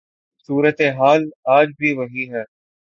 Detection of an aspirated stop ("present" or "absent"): absent